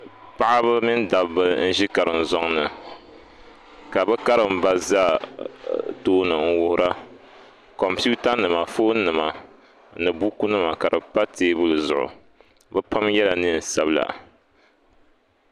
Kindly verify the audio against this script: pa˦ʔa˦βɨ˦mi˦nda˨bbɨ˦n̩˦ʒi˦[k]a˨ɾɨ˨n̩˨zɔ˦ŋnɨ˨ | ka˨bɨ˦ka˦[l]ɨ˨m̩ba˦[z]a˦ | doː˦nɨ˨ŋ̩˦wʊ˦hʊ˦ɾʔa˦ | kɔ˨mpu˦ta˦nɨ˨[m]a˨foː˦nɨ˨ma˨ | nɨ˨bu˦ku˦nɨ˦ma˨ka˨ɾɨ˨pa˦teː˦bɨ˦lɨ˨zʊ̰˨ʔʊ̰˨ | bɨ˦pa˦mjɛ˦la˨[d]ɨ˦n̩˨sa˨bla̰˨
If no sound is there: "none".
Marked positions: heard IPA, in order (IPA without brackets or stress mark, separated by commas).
k, ɾ, z, m, n